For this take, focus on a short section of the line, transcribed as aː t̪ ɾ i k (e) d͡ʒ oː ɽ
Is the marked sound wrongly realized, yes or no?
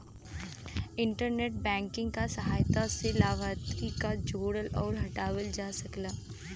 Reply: yes